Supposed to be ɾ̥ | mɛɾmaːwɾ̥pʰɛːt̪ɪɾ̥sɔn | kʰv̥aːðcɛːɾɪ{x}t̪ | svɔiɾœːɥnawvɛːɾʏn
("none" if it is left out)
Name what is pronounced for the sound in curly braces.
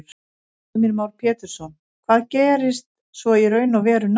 s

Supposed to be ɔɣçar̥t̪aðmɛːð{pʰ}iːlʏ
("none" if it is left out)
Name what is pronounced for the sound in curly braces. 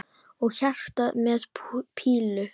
pʰ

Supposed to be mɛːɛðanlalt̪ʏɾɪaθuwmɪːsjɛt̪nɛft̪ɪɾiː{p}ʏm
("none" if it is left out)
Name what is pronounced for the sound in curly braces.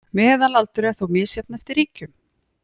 c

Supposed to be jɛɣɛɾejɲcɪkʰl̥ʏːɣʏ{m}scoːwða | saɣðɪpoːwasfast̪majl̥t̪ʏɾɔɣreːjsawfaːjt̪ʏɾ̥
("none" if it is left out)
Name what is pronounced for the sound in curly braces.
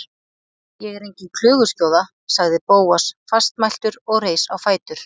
none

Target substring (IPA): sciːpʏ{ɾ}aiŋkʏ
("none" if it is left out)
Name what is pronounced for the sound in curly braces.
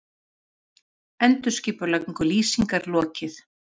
l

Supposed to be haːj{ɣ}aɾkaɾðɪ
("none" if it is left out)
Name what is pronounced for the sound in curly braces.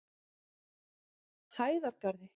ð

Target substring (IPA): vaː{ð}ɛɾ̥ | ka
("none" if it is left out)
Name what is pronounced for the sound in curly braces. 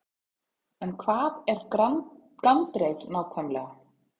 ð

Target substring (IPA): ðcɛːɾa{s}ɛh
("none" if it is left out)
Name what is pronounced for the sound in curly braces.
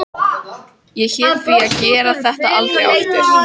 θ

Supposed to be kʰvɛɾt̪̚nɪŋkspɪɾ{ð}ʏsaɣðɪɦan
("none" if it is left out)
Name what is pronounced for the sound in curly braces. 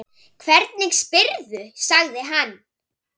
ð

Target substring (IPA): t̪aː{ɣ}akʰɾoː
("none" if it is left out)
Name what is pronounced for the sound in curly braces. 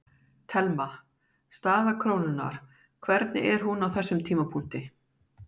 ð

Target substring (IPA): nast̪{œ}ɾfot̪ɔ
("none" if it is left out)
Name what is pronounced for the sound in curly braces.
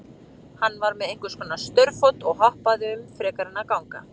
œ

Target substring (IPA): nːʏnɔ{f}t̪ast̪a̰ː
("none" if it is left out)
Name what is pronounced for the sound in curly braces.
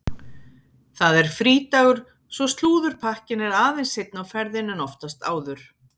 f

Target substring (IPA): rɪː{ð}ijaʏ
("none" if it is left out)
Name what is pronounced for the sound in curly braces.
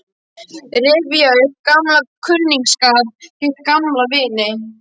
v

